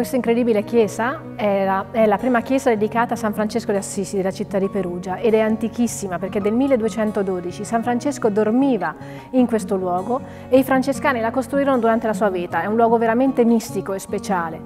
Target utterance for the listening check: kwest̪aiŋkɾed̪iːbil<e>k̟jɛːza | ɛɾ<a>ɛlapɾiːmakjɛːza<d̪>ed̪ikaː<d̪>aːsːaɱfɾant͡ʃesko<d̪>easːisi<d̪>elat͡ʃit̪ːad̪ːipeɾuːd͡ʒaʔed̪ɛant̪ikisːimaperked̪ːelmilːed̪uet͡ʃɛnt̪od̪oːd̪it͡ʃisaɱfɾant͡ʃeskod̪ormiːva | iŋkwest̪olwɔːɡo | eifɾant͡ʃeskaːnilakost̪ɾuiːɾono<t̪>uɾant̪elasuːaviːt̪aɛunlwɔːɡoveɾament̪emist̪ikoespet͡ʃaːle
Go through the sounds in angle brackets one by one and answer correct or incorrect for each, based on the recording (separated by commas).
correct, correct, correct, incorrect, correct, correct, incorrect